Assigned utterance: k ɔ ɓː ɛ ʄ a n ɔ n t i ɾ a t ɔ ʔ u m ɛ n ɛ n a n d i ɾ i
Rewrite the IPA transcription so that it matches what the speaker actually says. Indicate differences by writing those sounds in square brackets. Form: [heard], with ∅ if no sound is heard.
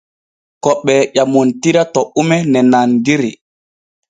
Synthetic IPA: k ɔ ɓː ɛ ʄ a [m] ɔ n t i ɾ a t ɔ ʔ u m ɛ n ɛ n a n d i ɾ i